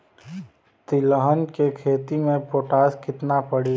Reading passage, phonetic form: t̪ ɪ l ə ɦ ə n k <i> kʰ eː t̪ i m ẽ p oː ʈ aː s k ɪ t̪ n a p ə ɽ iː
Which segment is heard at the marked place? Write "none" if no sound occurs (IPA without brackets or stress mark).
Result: e